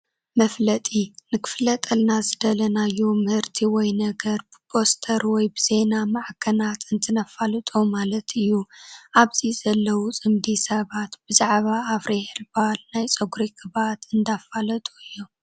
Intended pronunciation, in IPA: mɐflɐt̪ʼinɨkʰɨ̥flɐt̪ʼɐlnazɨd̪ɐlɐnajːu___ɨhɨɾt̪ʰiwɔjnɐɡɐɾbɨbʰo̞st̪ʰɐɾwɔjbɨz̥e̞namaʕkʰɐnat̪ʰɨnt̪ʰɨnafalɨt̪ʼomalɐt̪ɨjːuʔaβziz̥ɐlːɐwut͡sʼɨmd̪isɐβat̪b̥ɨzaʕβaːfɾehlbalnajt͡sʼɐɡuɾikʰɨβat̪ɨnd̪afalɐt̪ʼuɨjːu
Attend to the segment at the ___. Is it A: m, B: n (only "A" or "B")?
A